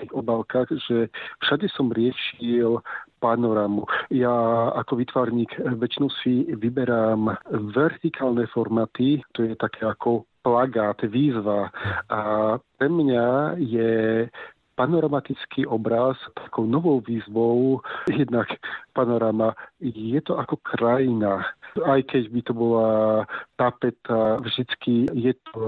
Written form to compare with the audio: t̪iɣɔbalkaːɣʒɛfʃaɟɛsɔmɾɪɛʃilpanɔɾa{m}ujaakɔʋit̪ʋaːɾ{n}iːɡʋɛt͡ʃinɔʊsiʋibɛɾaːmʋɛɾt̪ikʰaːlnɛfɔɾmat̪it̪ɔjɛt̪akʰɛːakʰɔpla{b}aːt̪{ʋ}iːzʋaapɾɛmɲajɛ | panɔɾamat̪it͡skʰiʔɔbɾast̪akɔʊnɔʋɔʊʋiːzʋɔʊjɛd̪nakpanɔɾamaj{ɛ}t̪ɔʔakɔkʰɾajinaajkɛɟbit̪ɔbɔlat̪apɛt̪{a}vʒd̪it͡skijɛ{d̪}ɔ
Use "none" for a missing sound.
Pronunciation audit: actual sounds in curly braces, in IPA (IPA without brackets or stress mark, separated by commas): m, ɲ, ɡ, ʋ, ɛ, a, t̪